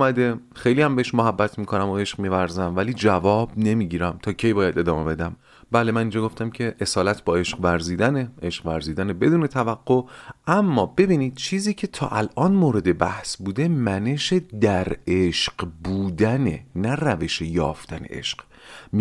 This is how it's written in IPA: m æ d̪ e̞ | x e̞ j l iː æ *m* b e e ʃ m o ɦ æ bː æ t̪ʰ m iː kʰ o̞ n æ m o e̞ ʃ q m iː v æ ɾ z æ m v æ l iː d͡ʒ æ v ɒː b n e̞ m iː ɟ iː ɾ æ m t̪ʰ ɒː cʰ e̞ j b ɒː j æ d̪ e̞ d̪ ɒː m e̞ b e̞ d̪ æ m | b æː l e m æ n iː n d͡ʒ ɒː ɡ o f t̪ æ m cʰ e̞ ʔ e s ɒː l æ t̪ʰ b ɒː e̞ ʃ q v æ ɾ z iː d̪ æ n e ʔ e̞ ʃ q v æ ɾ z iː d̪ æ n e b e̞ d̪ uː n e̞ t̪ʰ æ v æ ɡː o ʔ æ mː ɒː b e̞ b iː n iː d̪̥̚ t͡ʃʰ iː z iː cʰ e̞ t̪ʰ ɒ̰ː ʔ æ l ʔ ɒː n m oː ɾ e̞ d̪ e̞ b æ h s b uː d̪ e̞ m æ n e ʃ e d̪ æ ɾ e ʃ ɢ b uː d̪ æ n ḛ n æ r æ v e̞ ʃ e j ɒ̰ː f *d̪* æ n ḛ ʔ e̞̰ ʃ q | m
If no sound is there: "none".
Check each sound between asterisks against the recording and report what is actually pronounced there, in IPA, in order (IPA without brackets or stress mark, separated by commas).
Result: m, t̪